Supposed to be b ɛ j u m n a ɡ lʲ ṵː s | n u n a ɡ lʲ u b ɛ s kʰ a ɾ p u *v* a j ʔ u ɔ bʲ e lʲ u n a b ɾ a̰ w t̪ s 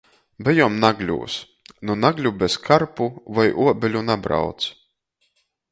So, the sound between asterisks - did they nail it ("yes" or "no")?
yes